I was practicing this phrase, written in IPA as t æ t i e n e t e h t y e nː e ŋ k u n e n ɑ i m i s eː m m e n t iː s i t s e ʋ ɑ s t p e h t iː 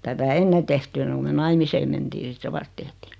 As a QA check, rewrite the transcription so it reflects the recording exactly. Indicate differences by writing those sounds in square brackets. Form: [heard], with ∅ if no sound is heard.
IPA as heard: t æ t [æ] e [nː] e t e h t y e nː e ŋ k u [m] e n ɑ i m i s eː m m e n t iː s i t s e ʋ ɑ s t [t] e h t iː